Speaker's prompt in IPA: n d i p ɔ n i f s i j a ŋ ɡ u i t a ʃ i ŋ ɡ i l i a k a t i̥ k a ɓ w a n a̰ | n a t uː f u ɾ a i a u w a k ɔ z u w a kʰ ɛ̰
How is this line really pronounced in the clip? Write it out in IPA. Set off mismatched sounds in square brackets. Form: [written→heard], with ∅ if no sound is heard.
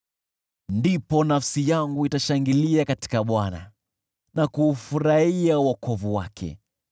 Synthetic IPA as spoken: n d i p ɔ n [i→a] f s i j a ŋ ɡ u i t a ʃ [i→a] ŋ ɡ i l i a k a t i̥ k a ɓ w a n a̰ | n a [t→k] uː f u ɾ a i a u w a k ɔ [z→v] u w a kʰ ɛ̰